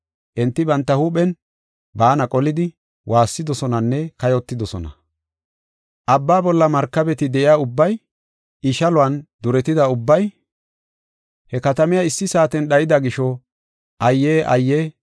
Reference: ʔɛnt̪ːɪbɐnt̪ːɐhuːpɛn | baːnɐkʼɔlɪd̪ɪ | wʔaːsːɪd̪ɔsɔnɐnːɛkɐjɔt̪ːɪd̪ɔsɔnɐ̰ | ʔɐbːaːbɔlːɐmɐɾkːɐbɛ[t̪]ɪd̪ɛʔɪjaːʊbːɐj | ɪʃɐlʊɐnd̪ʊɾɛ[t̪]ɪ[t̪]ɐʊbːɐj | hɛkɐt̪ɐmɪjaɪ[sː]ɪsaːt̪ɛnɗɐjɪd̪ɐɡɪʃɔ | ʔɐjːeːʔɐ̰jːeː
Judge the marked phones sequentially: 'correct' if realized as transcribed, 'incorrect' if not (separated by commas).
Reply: correct, correct, incorrect, correct